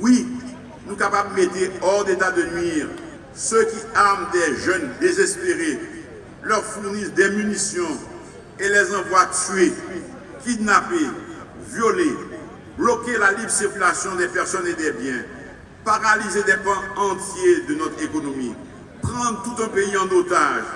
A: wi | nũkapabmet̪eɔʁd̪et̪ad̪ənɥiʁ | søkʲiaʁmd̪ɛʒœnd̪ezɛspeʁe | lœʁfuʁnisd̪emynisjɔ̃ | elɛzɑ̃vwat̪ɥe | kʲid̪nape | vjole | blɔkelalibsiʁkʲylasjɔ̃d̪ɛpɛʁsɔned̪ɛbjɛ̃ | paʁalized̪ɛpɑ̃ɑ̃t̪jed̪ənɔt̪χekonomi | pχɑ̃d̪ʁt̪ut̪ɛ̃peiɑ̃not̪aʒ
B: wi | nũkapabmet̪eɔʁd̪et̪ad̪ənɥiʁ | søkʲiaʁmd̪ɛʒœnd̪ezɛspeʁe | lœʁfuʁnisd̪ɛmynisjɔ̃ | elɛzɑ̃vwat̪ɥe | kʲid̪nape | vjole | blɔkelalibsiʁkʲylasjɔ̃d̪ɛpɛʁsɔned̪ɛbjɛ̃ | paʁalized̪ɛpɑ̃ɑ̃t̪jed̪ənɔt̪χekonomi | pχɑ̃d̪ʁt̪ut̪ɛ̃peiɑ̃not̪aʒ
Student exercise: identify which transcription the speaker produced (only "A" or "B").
B